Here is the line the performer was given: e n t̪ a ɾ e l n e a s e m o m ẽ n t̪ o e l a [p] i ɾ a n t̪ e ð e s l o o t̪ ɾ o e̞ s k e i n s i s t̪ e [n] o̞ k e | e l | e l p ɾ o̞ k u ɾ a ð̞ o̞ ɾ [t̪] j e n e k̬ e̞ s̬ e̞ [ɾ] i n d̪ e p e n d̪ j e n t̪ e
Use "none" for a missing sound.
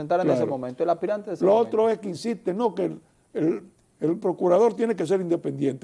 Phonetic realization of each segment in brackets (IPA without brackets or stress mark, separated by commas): p, n, t̪, ɾ